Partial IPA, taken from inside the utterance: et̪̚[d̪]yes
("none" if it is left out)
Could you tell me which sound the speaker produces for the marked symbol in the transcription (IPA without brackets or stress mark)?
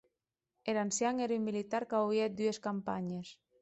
d̪